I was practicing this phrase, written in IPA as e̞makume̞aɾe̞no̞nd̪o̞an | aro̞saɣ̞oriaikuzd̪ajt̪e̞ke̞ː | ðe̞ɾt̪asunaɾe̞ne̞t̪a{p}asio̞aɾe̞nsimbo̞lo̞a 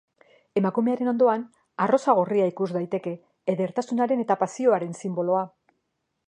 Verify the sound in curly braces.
correct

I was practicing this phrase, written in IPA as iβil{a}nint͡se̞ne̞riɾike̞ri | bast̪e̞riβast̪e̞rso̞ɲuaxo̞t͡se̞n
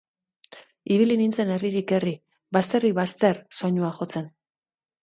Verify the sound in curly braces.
incorrect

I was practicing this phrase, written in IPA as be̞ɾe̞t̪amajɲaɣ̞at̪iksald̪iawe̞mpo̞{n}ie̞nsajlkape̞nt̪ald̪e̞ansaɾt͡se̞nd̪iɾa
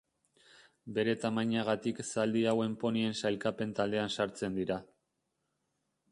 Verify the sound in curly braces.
correct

